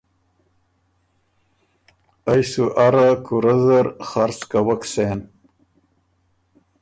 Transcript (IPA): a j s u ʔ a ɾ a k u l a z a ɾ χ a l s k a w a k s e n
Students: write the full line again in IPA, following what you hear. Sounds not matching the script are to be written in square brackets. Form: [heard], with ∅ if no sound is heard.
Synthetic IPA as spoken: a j s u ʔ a ɾ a k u [ɾ] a z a ɾ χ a [ɾ] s k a w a k s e n